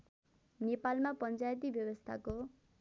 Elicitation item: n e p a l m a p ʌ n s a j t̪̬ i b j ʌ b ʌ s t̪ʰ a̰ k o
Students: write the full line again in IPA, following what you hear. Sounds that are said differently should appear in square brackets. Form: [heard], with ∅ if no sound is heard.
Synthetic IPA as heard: n e p a l m a p ʌ n [t͡s] a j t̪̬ i b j ʌ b ʌ s t̪ʰ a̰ k o